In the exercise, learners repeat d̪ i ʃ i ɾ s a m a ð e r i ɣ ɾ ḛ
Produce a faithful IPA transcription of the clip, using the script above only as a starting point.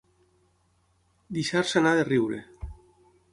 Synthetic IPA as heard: d̪ i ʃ a ɾ s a n a ð e r i w ɾ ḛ